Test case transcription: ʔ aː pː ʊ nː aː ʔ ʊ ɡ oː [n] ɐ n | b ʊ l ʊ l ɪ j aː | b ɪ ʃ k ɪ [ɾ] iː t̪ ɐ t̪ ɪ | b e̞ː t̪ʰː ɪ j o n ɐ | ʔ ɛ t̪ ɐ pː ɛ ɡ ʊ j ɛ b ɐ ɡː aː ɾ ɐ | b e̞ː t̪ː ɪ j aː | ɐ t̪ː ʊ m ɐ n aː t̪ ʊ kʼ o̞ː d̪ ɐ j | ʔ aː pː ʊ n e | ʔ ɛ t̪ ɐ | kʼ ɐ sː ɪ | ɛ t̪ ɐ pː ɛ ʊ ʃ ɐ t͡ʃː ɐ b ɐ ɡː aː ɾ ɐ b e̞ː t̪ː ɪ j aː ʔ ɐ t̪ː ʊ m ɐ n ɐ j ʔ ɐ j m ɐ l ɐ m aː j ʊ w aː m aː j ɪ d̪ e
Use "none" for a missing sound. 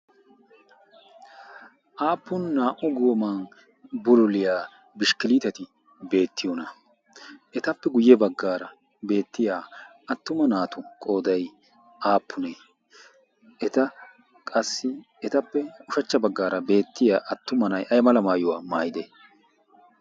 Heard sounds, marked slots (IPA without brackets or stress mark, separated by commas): m, l